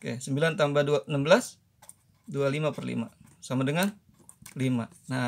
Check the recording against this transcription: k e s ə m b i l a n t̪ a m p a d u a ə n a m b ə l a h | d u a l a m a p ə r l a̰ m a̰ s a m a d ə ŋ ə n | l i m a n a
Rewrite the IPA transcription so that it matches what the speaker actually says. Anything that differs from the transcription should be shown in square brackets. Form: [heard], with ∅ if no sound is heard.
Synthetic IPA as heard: k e s ə m b i l a n t̪ a m [b] a d u a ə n a m b ə l a [s] | d u a l [i] m a p ə r l [ḭ] m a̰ s a m a d ə ŋ [a] n | l i m a n a

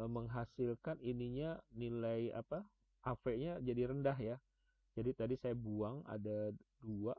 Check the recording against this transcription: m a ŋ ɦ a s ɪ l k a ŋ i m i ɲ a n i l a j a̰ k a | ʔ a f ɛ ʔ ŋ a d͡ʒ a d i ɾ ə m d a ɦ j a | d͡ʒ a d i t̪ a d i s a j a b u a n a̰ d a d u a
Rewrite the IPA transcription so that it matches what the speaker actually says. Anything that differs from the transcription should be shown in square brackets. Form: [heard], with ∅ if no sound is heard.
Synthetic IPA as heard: m [ə] ŋ ɦ a s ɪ l k a [n] i [n] i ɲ a n i l a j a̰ [p] a | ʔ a f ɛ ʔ [ɲ] a d͡ʒ a d i ɾ ə [n] d a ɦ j a | d͡ʒ a d i t̪ a d i s a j a b u a [ŋ] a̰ d a d u a

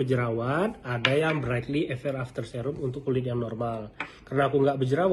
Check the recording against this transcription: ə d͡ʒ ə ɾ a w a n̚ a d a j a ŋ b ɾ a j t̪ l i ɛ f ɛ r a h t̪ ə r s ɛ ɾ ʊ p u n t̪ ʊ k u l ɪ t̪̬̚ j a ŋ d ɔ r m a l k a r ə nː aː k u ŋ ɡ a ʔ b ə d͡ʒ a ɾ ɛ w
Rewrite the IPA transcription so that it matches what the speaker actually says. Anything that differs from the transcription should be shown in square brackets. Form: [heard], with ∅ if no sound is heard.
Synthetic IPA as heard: ə d͡ʒ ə ɾ a w a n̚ a d a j a ŋ b ɾ a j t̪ l i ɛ f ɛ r a [f] t̪ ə r s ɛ ɾ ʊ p u n t̪ ʊ k u l ɪ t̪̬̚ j a ŋ [n] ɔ r m a l k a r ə [n] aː k u ŋ ɡ a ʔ b ə d͡ʒ [ə] ɾ [a] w

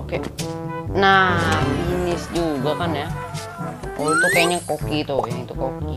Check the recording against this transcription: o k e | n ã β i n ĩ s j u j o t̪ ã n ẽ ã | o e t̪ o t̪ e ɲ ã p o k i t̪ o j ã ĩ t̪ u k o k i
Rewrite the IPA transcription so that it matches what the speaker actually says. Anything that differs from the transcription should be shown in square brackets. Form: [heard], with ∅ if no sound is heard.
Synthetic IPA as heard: o k e | n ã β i n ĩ s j u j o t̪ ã n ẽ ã | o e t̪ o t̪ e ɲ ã [k] o k i t̪ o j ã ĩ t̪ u k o k i

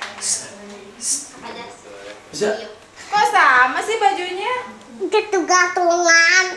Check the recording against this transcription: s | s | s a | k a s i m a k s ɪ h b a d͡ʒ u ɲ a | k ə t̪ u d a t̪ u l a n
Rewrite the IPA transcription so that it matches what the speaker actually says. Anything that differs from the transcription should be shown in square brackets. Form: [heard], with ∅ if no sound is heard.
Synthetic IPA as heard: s | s | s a | k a s [a] m a [∅] s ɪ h b a d͡ʒ u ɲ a | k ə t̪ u [ɡ] a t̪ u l a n

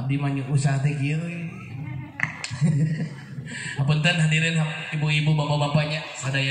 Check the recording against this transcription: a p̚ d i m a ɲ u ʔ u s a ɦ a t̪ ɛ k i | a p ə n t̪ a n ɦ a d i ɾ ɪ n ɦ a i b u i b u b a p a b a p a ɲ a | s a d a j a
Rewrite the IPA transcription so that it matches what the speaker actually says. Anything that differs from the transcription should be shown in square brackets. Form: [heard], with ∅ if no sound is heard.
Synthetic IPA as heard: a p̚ d i m a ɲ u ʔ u s a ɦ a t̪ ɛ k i | a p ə n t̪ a n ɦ a d i ɾ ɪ n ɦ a i b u i b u b a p a b a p a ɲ a | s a d a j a

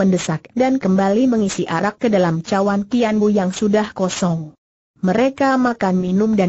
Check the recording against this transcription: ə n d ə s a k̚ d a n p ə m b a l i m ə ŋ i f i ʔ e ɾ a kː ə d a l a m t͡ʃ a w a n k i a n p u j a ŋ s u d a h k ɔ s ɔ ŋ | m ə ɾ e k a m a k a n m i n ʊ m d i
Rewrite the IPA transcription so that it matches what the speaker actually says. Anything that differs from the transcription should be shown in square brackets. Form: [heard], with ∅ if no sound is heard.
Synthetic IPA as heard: ə n d ə s a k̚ d a n [k] ə m b a l i m ə ŋ i [s] i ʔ [a] ɾ a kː ə d a l a m t͡ʃ a w a n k i a n [b] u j a ŋ s u d a h k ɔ s ɔ ŋ | m ə ɾ e k a m a k a n m i n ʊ m d [a]

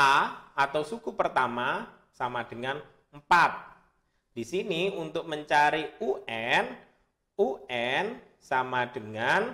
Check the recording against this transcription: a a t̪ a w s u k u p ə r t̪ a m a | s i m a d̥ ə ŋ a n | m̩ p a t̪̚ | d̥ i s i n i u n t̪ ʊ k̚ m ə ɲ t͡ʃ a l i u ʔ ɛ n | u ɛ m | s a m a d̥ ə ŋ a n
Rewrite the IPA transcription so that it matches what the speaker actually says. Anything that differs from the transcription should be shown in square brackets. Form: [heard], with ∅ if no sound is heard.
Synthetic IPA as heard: a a t̪ a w s u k u p ə r t̪ a m a | s [a] m a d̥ ə ŋ a n | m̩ p a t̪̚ | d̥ i s i n i u n t̪ ʊ k̚ m ə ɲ t͡ʃ a [ɾ] i u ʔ ɛ n | u ɛ [n] | s a m a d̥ ə ŋ a n

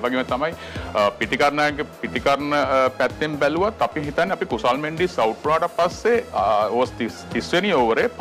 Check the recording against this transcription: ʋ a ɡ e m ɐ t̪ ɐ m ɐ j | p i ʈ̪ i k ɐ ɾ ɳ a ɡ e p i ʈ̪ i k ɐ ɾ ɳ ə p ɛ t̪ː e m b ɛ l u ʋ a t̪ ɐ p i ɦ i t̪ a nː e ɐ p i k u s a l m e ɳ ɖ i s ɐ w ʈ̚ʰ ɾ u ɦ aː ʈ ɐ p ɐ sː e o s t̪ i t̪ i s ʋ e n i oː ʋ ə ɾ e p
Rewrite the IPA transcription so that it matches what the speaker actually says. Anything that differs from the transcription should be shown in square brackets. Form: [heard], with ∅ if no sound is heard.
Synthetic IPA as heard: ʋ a ɡ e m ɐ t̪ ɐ m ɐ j | p i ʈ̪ i k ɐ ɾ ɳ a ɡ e p i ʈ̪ i k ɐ ɾ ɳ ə p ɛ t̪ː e m b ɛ l u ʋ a t̪ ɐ p i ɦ i t̪ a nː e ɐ p i k u s a l m e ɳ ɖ i s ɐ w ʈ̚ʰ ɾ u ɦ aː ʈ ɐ p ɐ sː e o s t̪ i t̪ i s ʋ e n i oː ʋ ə ɾ e p

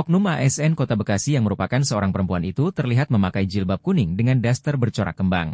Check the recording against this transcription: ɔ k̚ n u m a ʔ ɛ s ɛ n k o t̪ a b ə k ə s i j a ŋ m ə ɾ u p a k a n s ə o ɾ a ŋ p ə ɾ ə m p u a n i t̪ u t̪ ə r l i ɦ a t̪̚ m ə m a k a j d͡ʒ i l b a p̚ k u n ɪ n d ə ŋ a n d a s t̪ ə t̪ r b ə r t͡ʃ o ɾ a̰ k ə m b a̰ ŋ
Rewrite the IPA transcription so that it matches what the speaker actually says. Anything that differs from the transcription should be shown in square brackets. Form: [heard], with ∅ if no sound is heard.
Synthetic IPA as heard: ɔ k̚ n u m a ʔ ɛ s ɛ n k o t̪ a b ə k [a] s i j a ŋ m ə ɾ u p a k a n s ə o ɾ a ŋ p ə ɾ ə m p u a n i t̪ u t̪ ə r l i ɦ a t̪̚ m ə m a k a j d͡ʒ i l b a p̚ k u n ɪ [ŋ] d ə ŋ a n d a s t̪ ə [∅] r b ə r t͡ʃ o ɾ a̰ k ə m b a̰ ŋ

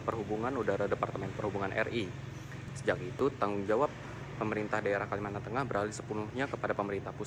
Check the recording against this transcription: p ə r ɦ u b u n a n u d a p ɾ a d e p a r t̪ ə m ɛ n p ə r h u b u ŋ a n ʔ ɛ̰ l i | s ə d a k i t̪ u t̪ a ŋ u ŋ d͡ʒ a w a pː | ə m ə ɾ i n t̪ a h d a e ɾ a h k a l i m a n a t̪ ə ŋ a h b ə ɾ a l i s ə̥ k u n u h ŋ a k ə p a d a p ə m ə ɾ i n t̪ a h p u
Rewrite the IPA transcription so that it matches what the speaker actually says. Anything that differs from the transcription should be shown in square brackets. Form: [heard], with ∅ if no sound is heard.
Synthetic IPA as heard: p ə r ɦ u b u [ŋ] a n u d a [∅] ɾ a d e p a r t̪ ə m ɛ n p ə r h u b u ŋ a n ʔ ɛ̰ [r] i | s ə [d͡ʒ] a k i t̪ u t̪ a ŋ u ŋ d͡ʒ a w a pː | ə m ə ɾ i n t̪ a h d a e ɾ a h k a l i m a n a t̪ ə ŋ a h b ə ɾ a l i s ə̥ [p] u n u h [ɲ] a k ə p a d a p ə m ə ɾ i n t̪ a h p u

